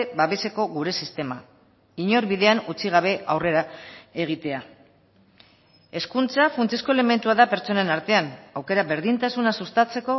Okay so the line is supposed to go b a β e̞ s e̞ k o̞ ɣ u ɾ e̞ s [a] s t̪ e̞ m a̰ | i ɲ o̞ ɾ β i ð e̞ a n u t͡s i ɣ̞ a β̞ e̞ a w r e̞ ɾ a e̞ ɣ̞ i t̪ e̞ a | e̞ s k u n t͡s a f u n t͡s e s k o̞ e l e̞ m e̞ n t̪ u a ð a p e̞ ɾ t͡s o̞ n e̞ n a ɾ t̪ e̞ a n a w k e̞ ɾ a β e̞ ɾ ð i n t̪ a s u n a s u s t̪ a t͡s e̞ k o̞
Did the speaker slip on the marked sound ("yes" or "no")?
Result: yes